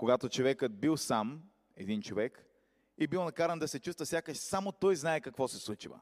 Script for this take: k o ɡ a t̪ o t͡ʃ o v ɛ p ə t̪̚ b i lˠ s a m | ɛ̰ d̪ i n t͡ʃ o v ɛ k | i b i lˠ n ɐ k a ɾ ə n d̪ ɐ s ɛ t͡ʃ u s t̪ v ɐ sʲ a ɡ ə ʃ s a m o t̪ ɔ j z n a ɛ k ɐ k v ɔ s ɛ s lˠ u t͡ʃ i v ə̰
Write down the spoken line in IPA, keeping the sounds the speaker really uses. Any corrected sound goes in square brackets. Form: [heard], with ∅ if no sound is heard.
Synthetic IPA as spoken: k o ɡ a t̪ o t͡ʃ o v ɛ [k] ə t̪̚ b i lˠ s a m | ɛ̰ d̪ i n t͡ʃ o v ɛ k | i b i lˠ n ɐ k a ɾ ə n d̪ ɐ s ɛ t͡ʃ u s t̪ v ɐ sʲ a [k] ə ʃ s a m o t̪ ɔ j z n a ɛ k ɐ k v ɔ s ɛ s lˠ u t͡ʃ i v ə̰